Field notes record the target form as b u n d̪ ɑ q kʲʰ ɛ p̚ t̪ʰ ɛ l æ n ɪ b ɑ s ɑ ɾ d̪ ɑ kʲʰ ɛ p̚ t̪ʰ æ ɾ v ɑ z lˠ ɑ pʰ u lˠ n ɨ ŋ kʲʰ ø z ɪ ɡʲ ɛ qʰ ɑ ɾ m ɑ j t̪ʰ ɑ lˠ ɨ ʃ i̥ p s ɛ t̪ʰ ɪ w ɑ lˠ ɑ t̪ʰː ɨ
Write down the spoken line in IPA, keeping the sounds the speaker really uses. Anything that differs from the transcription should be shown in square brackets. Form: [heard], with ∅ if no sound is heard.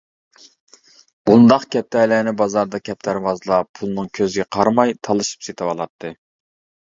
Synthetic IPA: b u n d̪ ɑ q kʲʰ ɛ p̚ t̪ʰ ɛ l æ n ɪ b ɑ [z] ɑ ɾ d̪ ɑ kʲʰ ɛ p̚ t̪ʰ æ ɾ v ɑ z lˠ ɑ pʰ u lˠ n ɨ ŋ kʲʰ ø z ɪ ɡʲ ɛ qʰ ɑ ɾ m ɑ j t̪ʰ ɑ lˠ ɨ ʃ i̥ p s [e] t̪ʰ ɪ w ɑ lˠ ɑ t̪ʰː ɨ